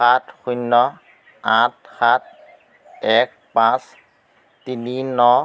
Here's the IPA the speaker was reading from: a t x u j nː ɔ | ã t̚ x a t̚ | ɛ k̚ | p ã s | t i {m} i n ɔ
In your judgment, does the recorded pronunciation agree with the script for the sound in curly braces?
no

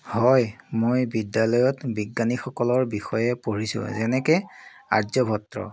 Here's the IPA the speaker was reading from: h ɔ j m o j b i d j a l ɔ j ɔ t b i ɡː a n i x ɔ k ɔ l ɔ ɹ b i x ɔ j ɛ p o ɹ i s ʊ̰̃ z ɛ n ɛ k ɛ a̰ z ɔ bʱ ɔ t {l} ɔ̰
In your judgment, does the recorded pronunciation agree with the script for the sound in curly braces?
no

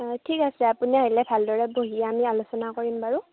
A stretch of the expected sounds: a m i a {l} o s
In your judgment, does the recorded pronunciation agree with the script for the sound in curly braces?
yes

